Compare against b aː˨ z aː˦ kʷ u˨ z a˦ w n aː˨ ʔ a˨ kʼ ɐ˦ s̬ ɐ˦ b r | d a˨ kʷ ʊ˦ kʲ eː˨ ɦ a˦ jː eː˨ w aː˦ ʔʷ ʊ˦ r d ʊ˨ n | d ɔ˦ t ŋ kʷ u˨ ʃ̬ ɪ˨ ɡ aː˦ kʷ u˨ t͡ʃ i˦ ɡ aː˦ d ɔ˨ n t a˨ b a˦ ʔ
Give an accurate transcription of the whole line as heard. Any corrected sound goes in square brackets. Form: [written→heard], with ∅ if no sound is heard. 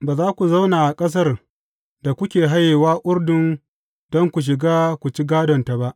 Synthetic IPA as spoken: b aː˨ z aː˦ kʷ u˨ z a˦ w n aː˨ ʔ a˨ kʼ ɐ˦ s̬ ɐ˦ [b→∅] r | d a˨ kʷ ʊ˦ kʲ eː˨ ɦ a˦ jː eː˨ w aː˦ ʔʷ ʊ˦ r d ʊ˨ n | d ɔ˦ [t→∅] ŋ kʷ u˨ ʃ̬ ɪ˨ ɡ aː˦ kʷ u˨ t͡ʃ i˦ ɡ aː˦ d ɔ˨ n t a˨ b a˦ ʔ